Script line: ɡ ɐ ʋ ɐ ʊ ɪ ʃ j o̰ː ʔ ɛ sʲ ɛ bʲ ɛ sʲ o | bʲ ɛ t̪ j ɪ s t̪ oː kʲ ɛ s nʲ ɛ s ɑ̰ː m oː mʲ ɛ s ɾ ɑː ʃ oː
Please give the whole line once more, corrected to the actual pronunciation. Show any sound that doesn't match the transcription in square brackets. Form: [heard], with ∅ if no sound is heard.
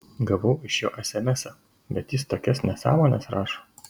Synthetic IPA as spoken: ɡ ɐ ʋ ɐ ʊ ɪ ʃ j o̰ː ʔ ɛ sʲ ɛ [mʲ] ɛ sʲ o | bʲ ɛ t̪ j ɪ s t̪ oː kʲ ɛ s nʲ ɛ s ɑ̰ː m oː [nʲ] ɛ s ɾ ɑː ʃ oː